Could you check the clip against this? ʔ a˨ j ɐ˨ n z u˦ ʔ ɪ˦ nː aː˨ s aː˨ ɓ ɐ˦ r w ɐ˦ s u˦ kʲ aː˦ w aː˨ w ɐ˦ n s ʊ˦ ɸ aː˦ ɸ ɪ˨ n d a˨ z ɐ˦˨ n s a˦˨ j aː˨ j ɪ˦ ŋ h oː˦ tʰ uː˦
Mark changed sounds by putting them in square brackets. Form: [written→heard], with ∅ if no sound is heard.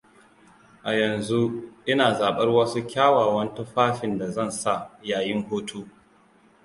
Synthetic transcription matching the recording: ʔ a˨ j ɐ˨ n z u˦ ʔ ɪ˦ [nː→n] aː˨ [s→z] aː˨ ɓ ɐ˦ r w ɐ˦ s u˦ kʲ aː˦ w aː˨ w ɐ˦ n [s→t] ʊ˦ ɸ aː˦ ɸ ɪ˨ n d a˨ z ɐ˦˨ n s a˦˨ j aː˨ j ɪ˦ ŋ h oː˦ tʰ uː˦